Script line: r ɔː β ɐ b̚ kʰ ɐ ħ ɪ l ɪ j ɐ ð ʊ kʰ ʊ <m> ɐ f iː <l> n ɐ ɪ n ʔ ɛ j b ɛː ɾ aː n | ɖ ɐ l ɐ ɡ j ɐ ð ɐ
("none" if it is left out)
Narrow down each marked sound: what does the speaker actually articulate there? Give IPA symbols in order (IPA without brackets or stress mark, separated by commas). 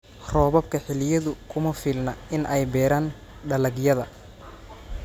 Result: m, l